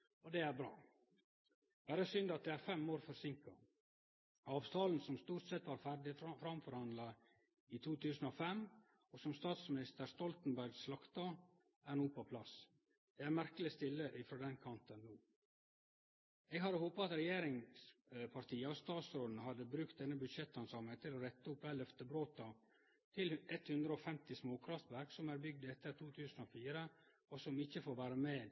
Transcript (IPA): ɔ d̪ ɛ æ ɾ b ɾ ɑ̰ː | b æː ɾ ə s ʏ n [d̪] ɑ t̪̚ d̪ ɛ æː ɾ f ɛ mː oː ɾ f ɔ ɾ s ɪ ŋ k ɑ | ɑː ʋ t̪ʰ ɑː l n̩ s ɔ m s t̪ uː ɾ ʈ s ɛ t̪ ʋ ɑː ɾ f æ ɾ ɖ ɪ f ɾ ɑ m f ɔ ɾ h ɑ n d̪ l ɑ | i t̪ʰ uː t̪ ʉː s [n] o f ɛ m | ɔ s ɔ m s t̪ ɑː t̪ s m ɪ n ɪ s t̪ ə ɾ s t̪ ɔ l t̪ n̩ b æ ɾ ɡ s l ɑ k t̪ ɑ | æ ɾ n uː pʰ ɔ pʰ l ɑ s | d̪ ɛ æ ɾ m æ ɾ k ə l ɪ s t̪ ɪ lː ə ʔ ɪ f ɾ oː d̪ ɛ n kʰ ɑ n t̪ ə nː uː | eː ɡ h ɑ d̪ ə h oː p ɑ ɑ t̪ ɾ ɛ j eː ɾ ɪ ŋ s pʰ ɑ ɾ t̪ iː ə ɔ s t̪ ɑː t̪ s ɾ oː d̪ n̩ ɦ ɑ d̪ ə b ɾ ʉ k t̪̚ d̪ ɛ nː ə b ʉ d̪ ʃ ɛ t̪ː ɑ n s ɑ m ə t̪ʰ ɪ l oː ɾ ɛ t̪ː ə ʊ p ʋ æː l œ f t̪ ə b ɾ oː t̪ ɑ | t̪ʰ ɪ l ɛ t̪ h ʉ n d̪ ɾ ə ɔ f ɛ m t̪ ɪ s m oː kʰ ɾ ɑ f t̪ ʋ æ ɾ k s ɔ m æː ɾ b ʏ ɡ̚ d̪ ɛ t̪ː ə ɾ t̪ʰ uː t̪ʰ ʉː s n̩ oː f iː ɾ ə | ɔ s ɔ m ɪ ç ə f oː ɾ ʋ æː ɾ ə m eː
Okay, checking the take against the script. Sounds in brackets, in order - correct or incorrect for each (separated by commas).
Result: correct, correct